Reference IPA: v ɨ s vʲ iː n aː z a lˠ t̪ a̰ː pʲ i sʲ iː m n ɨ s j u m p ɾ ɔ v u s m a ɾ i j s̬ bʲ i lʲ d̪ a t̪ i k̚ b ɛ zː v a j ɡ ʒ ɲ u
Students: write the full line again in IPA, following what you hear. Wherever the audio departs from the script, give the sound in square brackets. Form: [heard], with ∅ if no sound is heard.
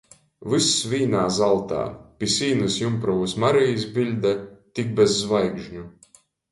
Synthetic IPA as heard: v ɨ s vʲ iː n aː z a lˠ t̪ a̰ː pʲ i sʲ iː [∅] n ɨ s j u m p ɾ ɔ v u s m a ɾ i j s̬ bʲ i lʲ d̪ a t̪ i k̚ b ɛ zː v a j ɡ ʒ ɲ u